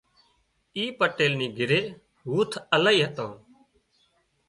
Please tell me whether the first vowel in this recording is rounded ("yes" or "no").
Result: no